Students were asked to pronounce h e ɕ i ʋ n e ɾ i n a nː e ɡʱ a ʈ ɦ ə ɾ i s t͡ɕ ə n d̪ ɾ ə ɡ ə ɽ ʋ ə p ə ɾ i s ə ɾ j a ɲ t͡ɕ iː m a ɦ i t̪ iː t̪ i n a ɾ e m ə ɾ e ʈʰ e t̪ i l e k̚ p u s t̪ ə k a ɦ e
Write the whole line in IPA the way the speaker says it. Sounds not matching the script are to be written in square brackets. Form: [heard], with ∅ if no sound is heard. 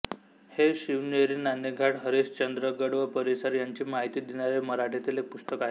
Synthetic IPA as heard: h e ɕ i ʋ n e ɾ i n a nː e ɡʱ a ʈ ɦ ə ɾ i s t͡ɕ ə n d̪ ɾ ə ɡ ə ɽ ʋ ə p ə ɾ i s ə ɾ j a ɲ t͡ɕ iː m a ɦ i t̪ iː [d̪] i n a ɾ e m ə ɾ [a] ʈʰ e t̪ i l e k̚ p u s t̪ ə k a ɦ e